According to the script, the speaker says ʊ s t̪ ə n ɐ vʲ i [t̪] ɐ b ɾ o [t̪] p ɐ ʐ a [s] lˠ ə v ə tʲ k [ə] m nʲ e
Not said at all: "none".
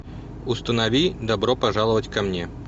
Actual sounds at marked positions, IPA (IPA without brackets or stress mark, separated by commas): d̪, none, none, ɐ